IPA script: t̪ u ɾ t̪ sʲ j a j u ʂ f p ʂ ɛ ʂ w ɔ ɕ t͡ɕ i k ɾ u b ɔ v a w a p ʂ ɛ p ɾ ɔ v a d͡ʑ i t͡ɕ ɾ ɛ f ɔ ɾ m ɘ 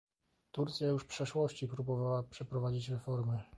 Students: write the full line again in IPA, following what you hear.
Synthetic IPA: t̪ u ɾ t̪ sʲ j a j u ʂ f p ʂ ɛ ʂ w ɔ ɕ t͡ɕ i p ɾ u b ɔ v a w a p ʂ ɛ p ɾ ɔ v a d͡ʑ i t͡ɕ ɾ ɛ f ɔ ɾ m ɘ